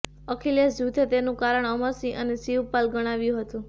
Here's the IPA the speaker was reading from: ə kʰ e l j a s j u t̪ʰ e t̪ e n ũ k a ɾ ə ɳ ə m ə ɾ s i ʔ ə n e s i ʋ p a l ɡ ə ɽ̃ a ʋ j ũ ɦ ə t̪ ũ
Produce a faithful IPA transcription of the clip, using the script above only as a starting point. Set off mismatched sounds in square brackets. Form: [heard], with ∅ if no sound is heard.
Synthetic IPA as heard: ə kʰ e l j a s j u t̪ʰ e t̪ e n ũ k a ɾ ə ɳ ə m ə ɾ s i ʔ ə n e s i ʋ p a l ɡ ə ɽ̃ a ʋ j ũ ɦ ə t̪ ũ